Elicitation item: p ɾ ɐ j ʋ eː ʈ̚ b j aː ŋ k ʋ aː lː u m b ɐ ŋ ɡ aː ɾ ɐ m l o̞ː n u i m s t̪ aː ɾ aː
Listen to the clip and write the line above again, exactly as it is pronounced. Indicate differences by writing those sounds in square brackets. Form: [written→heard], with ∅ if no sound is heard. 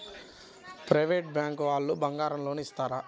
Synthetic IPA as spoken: p ɾ ɐ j ʋ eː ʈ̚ b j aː ŋ k ʋ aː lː u [m→∅] b ɐ ŋ ɡ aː ɾ ɐ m l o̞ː n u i [m→∅] s t̪ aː ɾ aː